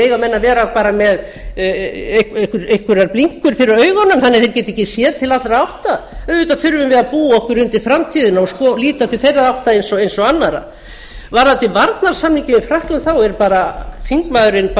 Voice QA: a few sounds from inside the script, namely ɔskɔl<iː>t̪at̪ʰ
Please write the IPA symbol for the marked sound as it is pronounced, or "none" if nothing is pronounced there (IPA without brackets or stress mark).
iː